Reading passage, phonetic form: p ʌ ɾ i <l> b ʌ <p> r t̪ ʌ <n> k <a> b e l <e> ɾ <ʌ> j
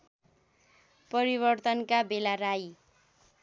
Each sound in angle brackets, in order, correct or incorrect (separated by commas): incorrect, incorrect, correct, correct, incorrect, incorrect